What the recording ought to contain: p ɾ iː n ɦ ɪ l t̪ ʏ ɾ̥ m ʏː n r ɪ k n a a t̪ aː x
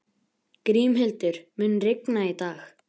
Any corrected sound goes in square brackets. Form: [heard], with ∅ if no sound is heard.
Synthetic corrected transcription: [k] ɾ iː [m] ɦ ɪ l t̪ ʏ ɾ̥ m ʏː n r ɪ k n a [i] t̪ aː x